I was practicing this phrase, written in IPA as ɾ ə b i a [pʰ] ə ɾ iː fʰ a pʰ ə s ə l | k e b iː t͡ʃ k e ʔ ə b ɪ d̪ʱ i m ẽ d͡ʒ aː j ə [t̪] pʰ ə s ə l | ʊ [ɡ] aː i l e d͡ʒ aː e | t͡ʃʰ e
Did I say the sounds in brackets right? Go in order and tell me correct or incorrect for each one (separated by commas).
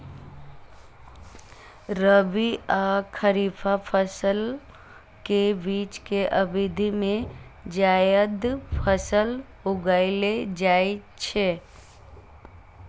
incorrect, incorrect, correct